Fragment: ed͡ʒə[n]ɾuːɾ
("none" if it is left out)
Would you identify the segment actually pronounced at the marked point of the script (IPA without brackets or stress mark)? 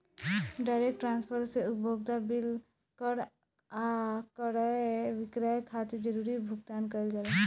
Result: none